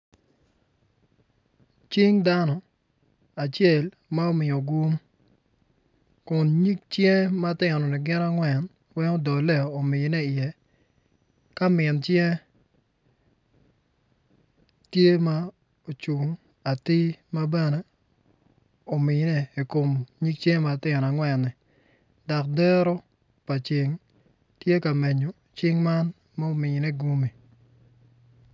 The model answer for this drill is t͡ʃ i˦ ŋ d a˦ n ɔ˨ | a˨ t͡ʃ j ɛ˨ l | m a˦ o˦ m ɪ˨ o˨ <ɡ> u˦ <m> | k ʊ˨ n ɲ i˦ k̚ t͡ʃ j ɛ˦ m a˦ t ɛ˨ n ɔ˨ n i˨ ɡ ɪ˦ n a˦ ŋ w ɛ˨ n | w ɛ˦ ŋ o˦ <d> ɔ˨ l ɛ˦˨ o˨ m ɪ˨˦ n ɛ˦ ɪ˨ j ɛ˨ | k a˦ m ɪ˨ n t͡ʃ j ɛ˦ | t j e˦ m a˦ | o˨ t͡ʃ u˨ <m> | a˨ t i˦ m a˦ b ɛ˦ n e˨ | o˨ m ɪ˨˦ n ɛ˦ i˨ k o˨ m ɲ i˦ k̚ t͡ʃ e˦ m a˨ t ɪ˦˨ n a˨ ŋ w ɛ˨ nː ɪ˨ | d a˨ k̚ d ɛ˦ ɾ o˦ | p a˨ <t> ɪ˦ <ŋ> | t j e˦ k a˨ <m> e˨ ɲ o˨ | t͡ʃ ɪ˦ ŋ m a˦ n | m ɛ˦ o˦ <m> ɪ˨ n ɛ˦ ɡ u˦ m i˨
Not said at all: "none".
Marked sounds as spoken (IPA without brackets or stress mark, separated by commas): ɡ, m, d, ŋ, t͡ʃ, ŋ, m, m